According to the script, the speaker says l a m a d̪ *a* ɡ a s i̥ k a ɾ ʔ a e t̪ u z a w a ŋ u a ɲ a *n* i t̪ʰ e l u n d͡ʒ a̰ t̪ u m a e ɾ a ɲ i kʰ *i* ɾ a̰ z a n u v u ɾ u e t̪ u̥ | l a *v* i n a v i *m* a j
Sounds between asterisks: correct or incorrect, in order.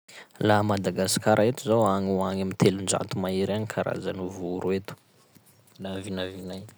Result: correct, incorrect: m, incorrect: a, correct, incorrect: n

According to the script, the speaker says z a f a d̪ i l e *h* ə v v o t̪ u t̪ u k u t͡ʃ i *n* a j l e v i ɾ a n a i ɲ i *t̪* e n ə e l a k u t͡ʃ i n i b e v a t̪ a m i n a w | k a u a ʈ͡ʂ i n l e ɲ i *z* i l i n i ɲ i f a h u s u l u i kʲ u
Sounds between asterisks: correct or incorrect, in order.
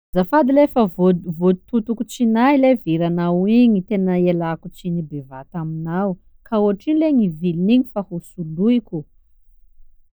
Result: incorrect: f, correct, correct, incorrect: v

